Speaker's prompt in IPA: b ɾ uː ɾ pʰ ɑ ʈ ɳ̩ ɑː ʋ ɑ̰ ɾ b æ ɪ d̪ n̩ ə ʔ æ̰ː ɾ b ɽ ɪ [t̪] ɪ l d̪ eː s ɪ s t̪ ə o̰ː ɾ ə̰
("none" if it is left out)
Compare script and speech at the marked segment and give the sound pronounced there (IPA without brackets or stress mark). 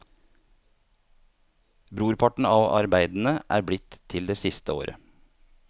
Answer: t̪ʰ